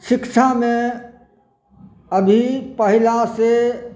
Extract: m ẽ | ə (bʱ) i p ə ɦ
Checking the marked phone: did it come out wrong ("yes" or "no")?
no